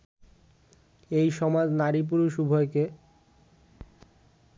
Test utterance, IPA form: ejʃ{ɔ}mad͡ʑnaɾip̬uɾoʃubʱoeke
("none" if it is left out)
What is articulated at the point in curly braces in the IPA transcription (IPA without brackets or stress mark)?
ɔ